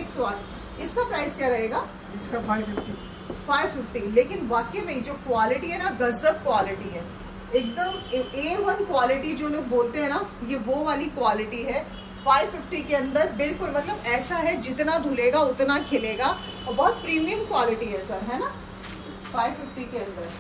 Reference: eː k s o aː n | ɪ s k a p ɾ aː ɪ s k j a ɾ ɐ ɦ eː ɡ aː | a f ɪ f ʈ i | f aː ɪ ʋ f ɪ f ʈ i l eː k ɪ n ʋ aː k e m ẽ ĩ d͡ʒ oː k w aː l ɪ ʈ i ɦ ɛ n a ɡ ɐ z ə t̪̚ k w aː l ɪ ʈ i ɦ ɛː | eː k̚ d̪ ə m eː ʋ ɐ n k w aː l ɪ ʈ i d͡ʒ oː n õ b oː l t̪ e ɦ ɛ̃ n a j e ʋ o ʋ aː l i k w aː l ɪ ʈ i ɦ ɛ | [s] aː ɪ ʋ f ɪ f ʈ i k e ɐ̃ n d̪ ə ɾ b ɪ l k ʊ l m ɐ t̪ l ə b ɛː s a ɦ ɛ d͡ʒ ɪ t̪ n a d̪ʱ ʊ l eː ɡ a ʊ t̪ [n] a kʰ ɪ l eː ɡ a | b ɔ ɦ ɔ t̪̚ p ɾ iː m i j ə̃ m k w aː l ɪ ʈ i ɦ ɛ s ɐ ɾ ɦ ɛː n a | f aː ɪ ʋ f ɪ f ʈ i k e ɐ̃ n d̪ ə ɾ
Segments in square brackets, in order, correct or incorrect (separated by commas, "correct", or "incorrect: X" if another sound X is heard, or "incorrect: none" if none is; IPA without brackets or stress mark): incorrect: f, correct